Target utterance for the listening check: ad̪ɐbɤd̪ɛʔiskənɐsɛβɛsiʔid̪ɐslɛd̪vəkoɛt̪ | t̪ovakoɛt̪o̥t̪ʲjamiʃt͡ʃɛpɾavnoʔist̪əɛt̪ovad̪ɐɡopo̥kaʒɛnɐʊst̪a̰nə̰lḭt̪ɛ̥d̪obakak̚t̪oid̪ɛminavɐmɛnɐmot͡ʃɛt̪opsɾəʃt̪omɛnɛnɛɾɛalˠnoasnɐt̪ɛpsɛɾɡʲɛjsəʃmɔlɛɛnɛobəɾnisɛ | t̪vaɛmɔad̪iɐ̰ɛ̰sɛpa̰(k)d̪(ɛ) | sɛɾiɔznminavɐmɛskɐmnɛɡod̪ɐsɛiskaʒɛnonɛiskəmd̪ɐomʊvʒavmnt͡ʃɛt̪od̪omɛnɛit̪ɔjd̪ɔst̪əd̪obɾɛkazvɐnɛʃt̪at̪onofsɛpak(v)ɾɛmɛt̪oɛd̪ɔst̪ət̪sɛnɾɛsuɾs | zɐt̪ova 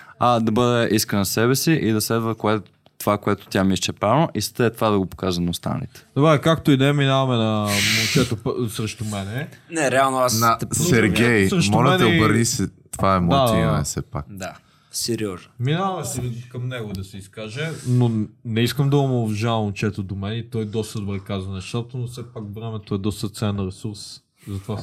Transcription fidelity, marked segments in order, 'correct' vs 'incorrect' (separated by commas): correct, incorrect, correct